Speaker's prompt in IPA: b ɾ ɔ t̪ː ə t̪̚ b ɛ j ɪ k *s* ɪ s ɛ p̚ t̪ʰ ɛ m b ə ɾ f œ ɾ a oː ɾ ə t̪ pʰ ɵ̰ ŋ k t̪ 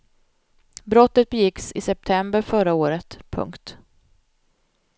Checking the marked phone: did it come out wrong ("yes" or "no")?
no